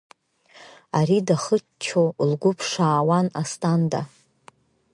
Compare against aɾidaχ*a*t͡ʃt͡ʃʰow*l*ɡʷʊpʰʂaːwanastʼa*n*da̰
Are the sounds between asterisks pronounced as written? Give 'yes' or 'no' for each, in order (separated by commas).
no, yes, yes